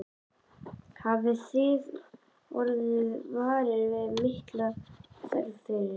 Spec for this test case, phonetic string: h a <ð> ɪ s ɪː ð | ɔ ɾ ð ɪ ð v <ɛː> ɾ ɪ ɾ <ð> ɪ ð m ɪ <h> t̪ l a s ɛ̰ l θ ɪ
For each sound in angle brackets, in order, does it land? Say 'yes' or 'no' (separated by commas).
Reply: no, no, no, yes